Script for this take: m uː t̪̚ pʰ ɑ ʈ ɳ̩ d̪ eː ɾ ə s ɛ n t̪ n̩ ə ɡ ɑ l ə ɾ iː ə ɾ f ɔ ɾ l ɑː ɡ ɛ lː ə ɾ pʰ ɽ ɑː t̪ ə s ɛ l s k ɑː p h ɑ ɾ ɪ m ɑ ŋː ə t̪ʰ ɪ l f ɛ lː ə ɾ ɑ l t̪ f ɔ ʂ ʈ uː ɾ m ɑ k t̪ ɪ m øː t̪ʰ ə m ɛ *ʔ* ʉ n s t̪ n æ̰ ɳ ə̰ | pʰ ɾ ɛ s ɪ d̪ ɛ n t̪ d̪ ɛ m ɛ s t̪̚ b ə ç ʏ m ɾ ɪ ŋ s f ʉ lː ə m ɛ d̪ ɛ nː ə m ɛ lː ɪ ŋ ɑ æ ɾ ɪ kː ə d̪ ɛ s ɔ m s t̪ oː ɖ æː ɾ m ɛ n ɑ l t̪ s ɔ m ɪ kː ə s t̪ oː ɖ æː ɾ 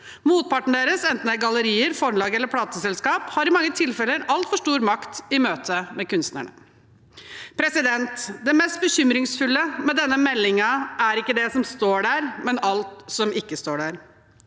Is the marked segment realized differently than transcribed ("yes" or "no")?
yes